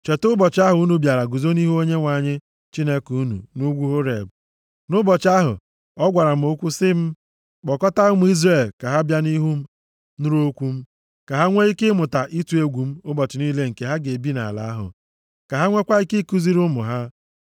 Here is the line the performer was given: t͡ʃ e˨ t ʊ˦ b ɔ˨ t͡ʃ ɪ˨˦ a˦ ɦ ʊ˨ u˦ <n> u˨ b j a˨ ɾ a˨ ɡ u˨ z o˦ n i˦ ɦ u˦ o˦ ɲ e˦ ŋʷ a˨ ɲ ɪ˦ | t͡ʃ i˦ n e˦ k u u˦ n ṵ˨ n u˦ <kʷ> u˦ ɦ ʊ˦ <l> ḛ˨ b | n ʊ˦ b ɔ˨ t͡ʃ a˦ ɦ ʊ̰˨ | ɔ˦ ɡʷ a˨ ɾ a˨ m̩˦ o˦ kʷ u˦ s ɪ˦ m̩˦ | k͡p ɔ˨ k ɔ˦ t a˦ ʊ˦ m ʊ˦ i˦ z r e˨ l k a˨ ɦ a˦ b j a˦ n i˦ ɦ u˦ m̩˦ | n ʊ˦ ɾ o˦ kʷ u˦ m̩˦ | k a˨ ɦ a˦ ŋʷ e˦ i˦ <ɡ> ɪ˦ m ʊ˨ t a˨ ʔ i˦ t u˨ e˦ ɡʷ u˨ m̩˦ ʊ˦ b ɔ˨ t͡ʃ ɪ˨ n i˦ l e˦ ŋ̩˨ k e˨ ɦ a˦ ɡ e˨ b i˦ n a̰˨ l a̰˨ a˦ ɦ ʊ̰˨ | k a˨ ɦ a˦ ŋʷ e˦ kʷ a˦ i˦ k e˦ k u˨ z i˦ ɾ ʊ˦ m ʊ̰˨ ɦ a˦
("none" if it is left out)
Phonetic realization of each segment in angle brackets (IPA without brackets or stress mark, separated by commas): n, ɡʷ, ɾ, k